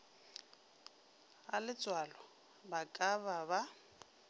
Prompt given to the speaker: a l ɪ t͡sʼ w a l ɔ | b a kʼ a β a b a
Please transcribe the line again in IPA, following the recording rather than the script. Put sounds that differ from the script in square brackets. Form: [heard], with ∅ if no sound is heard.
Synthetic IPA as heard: a l ɪ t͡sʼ w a l ɔ | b a kʼ a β a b a